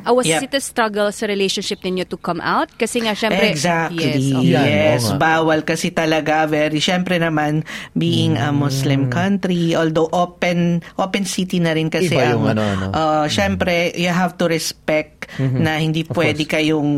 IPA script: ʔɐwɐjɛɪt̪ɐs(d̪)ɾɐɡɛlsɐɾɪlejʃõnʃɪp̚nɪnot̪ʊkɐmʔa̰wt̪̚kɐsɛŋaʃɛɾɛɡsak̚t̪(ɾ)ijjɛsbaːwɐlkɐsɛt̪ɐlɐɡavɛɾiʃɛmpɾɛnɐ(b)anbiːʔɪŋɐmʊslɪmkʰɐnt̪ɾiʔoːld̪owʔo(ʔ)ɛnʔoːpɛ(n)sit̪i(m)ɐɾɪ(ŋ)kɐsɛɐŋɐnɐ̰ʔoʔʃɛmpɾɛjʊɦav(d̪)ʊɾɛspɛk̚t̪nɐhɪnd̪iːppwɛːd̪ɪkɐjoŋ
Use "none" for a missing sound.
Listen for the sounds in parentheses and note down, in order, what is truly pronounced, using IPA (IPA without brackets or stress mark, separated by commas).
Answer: t̪, l, m, p, n, n, n, t̪